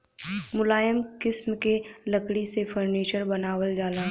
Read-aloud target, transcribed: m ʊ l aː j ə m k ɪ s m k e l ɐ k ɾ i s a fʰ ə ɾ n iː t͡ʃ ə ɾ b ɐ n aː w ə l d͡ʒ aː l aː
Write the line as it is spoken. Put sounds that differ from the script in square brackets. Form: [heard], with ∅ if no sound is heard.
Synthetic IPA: m ʊ l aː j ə m k ɪ s m k e l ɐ k [ɽ] i s [e] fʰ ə ɾ n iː t͡ʃ ə ɾ b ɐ n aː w ə l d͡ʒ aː l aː